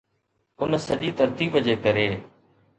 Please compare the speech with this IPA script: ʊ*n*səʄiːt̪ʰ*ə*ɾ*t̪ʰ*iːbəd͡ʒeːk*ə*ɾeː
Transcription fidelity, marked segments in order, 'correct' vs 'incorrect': correct, correct, incorrect: t̪, correct

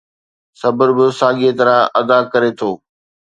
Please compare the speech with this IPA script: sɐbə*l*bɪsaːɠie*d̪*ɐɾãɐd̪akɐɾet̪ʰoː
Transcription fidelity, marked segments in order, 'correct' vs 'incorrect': incorrect: ɾ, incorrect: t̪

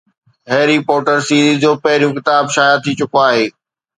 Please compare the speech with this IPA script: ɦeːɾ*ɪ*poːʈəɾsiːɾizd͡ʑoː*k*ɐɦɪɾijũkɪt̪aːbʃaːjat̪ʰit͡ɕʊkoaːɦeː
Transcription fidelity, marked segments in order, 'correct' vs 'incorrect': incorrect: i, incorrect: p

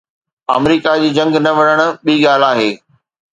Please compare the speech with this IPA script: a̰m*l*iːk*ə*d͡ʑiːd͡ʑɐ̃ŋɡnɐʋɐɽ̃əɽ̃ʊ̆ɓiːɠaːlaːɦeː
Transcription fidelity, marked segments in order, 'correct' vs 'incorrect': incorrect: ɾ, incorrect: a

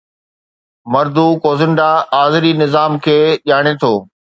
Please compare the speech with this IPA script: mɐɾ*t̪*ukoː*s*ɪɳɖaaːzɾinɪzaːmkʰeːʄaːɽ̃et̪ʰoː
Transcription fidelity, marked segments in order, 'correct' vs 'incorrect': incorrect: d̪, incorrect: z

